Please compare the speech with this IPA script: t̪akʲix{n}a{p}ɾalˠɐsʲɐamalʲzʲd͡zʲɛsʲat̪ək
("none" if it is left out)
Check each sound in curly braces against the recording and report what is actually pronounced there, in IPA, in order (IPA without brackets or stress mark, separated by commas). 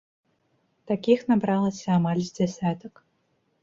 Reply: n, b